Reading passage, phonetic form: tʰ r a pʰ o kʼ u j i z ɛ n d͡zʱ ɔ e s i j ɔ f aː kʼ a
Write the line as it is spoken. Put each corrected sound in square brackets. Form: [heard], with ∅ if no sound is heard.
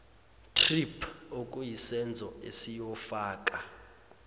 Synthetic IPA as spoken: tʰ r [i] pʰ o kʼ u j i [s] ɛ n d͡zʱ ɔ e s i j ɔ f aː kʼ a

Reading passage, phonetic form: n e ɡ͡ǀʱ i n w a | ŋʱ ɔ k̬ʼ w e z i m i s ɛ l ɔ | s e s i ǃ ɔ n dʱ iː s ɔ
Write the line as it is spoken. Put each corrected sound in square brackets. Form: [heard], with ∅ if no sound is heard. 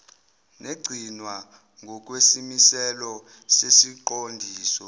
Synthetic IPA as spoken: n e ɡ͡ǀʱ i n w a | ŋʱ ɔ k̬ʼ w e [s] i m i s ɛ l ɔ | s e s i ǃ [o] n dʱ iː s ɔ

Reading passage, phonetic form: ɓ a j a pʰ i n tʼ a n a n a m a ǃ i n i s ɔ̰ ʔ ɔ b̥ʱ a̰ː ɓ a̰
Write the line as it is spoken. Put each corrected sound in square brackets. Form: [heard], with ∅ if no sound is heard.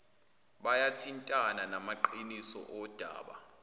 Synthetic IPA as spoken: ɓ a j a [tʰ] i n tʼ a n a n a m a ǃ i n i s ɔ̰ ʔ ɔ [d̥ʱ] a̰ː ɓ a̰

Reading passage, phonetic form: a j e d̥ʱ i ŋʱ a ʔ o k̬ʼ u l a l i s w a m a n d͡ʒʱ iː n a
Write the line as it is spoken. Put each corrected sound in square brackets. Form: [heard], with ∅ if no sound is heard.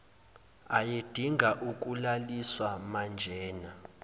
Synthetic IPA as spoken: a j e d̥ʱ i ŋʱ a ʔ [u] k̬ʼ u l a l i s w a m a n d͡ʒʱ [ɛː] n a

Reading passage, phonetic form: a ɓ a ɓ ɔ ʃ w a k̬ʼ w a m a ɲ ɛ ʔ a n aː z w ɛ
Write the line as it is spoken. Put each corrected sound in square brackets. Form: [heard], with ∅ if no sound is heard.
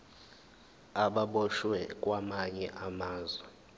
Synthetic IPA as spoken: a ɓ a ɓ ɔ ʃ w [ɛ] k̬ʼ w a m a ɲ ɛ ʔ a [m] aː z w ɛ

